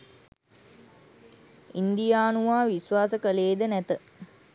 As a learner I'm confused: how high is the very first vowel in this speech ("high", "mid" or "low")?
high